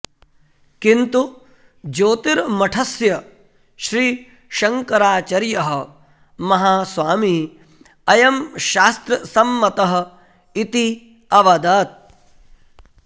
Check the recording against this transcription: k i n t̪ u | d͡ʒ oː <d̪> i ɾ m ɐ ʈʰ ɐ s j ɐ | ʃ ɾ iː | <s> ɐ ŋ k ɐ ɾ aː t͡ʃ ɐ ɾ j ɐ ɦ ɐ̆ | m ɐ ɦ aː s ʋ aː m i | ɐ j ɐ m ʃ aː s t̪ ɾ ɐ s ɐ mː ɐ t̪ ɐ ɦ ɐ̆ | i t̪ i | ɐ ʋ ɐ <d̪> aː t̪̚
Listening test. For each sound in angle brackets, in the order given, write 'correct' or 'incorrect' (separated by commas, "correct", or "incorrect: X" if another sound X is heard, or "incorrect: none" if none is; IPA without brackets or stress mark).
incorrect: t̪, incorrect: ʃ, correct